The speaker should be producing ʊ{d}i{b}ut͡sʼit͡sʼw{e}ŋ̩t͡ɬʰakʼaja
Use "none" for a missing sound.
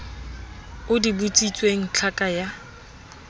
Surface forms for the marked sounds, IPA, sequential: d, b, e

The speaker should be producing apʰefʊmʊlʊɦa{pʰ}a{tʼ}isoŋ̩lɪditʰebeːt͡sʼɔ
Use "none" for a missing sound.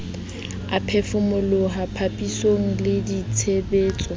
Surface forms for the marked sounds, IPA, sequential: pʰ, pʼ

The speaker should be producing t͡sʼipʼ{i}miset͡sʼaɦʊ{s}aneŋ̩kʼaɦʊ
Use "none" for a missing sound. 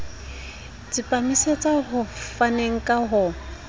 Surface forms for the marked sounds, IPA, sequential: a, f

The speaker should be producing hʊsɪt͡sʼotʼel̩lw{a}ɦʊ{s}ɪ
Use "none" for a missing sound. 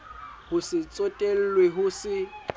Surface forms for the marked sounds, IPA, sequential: e, s

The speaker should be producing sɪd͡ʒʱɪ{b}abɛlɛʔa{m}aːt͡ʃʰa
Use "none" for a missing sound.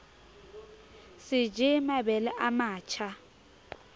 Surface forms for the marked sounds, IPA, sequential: m, m

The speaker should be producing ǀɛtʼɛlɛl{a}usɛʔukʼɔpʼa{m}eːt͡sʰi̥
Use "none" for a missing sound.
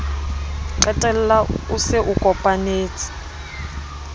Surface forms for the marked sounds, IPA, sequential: a, n

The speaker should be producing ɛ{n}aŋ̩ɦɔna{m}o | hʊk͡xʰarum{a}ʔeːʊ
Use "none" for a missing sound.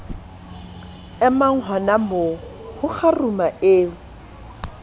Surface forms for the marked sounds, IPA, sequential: m, m, a

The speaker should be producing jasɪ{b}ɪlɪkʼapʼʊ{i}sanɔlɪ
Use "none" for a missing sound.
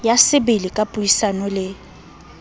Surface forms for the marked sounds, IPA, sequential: b, i

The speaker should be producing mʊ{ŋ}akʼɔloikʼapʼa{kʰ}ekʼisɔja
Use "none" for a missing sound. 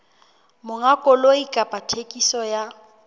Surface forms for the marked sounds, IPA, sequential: ŋ, tʰ

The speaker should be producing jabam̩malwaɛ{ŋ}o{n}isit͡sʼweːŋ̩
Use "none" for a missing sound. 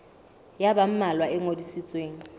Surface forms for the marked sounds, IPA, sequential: ŋ, d

